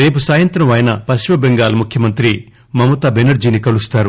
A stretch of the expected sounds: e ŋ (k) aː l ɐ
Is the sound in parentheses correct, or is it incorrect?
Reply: incorrect